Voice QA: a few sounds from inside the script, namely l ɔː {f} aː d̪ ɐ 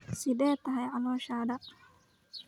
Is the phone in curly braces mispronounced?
yes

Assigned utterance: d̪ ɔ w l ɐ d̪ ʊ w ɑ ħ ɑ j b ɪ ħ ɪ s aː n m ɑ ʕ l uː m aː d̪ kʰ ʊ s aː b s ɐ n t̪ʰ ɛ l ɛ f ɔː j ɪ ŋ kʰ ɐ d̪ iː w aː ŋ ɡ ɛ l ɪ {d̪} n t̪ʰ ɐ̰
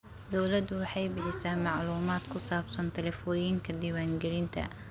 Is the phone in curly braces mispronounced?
yes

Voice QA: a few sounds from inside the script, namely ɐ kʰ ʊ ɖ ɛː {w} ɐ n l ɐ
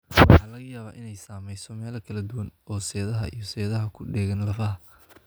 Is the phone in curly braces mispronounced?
yes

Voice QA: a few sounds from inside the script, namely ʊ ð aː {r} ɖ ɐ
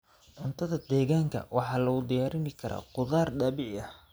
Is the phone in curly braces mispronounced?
no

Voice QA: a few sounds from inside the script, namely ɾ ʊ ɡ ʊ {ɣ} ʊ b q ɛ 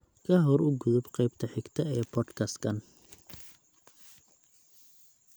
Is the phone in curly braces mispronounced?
yes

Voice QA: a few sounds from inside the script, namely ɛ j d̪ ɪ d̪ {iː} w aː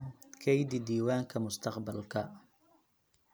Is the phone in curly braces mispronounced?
no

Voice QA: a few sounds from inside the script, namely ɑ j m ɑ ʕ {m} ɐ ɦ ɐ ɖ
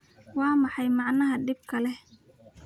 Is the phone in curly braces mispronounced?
yes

